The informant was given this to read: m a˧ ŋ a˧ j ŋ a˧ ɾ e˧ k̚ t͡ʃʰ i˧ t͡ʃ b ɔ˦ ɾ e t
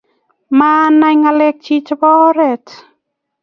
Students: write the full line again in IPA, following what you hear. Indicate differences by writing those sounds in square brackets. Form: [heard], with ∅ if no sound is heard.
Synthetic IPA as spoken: m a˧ [n] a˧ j ŋ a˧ [l] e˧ k̚ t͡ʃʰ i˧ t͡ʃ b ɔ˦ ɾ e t